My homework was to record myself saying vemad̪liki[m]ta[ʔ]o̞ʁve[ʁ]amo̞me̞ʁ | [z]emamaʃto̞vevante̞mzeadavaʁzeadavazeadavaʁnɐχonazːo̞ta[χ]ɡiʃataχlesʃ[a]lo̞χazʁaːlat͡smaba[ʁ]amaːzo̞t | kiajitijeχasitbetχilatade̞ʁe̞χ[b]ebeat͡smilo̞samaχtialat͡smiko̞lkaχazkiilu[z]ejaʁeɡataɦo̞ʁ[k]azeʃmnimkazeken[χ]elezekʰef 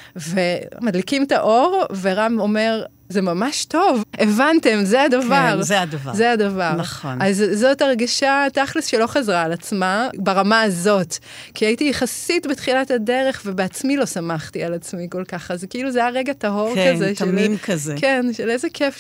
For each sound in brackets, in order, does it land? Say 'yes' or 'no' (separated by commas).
yes, yes, yes, yes, no, no, yes, no, yes, yes, no